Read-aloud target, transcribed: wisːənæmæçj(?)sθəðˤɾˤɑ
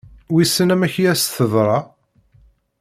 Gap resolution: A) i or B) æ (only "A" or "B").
B